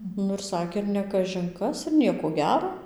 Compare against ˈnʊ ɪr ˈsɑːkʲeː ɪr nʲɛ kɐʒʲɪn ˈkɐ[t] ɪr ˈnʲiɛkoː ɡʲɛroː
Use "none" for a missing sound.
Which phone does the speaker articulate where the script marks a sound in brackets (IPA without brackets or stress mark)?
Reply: s